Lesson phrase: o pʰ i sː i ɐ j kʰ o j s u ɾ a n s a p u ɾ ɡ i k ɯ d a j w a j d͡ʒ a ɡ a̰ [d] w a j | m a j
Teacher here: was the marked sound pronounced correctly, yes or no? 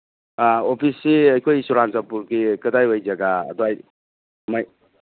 yes